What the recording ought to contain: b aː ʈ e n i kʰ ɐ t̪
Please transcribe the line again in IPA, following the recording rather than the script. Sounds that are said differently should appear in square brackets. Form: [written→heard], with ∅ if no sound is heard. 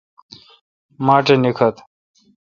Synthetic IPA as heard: [b→m] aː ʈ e n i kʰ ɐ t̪

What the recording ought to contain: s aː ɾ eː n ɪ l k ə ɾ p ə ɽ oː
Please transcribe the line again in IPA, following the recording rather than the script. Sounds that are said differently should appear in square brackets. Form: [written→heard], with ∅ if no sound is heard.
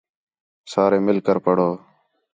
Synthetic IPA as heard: s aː ɾ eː [n→m] ɪ l k ə ɾ p ə ɽ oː

